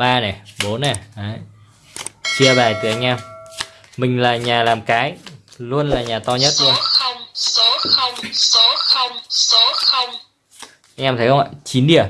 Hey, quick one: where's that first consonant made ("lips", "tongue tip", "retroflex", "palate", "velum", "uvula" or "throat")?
lips